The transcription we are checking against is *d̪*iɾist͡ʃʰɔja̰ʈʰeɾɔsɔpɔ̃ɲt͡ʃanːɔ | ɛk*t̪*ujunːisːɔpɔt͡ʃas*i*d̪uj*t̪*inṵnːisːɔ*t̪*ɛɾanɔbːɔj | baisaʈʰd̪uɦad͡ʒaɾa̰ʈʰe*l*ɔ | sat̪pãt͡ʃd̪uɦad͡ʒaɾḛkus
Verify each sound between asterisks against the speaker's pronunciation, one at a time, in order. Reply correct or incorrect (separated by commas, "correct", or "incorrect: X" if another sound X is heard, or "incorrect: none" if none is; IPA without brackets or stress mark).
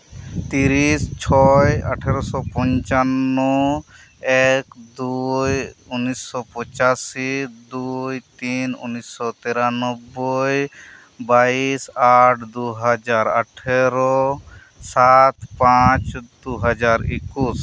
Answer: incorrect: t̪, incorrect: d̪, correct, correct, correct, incorrect: ɾ